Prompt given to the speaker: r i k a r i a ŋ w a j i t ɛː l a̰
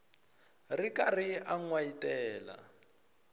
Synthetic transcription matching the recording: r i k a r i a ŋ w a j i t ɛː l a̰